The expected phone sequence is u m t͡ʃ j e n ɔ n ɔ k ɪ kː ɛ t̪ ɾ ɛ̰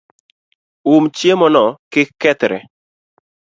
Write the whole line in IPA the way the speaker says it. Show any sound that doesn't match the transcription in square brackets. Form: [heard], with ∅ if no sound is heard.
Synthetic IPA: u m t͡ʃ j e [m] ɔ n ɔ k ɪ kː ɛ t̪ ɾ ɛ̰